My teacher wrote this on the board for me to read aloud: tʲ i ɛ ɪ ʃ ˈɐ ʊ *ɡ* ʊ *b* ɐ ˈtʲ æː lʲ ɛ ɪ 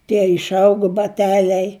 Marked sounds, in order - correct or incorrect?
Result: correct, correct

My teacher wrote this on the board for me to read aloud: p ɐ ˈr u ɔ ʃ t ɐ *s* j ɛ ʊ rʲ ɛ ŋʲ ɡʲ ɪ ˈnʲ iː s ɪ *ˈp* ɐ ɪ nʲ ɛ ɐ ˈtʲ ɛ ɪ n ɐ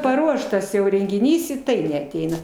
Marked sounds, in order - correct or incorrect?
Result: correct, incorrect: t

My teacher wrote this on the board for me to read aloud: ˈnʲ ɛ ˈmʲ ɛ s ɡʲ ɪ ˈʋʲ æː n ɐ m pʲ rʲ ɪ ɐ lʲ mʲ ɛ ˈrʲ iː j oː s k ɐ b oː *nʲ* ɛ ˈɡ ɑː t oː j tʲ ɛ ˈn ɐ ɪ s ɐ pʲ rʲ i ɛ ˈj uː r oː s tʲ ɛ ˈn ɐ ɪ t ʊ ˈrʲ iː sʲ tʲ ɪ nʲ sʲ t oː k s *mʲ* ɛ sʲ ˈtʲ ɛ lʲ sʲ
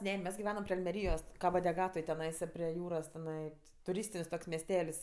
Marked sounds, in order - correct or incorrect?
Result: incorrect: dʲ, correct

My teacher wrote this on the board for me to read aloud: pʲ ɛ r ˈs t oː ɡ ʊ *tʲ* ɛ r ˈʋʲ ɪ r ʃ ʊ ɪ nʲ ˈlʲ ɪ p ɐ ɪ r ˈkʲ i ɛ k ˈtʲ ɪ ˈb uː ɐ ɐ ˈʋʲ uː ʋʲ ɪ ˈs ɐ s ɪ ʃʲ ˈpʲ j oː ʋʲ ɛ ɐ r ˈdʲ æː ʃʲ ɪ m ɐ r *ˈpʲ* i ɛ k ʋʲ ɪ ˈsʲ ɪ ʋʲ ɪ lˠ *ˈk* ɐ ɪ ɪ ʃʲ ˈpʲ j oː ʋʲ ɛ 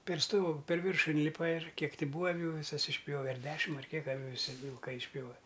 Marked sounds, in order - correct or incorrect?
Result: incorrect: pʲ, incorrect: kʲ, correct

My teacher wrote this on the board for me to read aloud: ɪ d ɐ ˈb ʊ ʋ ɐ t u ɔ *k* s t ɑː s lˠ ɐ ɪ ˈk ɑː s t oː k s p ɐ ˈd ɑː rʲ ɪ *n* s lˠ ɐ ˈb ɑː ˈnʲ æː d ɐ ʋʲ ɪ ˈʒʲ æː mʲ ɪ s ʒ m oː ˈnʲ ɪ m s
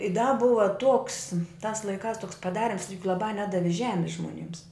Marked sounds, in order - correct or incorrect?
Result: correct, incorrect: m

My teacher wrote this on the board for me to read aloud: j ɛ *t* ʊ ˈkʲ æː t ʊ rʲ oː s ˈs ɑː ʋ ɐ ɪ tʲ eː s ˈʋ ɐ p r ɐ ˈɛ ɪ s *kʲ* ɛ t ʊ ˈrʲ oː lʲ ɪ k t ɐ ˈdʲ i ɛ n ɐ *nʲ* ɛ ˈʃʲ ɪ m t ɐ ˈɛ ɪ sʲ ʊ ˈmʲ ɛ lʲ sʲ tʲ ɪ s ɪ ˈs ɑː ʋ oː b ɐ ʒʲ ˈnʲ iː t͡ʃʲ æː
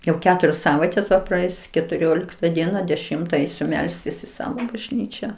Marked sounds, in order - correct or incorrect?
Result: incorrect: none, correct, incorrect: dʲ

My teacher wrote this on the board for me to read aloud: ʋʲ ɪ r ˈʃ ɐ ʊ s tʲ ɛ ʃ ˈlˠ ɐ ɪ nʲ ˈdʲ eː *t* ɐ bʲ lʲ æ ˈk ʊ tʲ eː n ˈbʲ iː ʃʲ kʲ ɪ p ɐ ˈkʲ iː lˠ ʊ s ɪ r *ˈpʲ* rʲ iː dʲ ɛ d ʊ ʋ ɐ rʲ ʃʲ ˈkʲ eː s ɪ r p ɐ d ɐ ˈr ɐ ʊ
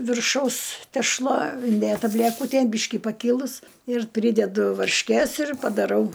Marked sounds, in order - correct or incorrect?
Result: correct, correct

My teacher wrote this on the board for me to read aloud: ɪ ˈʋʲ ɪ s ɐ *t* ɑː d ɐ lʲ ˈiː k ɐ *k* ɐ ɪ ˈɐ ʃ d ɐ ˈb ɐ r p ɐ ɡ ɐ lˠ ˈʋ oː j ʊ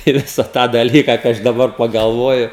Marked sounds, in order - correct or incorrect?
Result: correct, correct

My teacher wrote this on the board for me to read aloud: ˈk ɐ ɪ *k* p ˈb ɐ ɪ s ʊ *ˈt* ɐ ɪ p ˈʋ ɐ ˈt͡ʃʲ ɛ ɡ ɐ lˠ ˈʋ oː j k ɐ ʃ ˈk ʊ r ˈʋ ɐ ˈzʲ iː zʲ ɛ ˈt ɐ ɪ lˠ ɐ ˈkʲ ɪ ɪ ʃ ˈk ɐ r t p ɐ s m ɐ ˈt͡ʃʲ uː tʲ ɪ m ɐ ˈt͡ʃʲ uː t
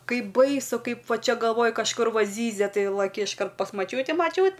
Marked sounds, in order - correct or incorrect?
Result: incorrect: none, incorrect: k

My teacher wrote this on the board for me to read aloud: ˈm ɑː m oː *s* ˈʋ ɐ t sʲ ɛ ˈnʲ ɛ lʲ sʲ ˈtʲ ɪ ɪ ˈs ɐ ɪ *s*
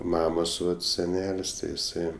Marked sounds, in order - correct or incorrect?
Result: correct, incorrect: none

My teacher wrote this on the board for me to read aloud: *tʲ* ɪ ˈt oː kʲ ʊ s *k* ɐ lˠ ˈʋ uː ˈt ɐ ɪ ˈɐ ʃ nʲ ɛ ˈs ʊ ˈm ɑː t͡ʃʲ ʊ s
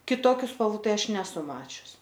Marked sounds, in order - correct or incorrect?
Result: incorrect: kʲ, incorrect: p

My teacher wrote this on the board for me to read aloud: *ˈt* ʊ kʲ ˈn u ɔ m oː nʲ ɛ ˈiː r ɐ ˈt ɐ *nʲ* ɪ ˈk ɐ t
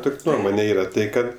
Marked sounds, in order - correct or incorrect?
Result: correct, incorrect: none

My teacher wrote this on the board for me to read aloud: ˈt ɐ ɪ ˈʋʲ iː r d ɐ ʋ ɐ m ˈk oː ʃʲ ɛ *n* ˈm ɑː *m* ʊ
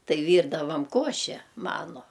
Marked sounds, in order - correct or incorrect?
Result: incorrect: none, incorrect: n

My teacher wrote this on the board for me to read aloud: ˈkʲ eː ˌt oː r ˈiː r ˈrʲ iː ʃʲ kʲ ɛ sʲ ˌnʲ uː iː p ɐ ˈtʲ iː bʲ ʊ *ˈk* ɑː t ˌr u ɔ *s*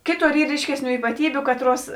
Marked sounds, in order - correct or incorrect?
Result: correct, correct

